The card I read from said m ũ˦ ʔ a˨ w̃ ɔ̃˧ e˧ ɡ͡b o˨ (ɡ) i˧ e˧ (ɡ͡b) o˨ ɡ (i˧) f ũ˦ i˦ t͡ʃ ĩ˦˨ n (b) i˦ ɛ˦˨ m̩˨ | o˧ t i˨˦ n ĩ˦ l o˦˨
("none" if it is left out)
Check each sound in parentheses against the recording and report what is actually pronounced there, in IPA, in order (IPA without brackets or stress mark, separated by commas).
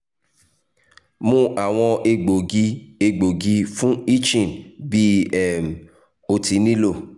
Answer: ɡ, ɡ͡b, i˧, b